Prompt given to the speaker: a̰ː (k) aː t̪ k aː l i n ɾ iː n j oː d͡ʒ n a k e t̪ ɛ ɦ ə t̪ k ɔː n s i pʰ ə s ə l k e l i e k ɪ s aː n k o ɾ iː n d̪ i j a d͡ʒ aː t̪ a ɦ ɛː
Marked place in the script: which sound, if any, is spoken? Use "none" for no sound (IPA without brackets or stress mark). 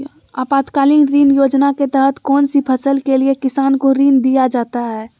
p